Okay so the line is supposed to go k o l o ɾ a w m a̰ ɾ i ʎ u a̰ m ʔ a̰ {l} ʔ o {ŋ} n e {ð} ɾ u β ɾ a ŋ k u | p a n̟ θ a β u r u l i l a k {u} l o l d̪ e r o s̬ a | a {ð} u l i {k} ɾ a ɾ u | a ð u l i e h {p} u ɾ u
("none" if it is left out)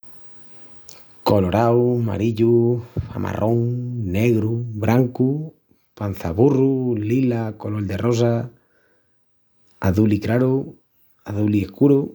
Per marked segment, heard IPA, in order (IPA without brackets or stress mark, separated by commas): r, ŋ, ɣ, o, ð, k, k